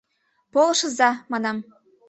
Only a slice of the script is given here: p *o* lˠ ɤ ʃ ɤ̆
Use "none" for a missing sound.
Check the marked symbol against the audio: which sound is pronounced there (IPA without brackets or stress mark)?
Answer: o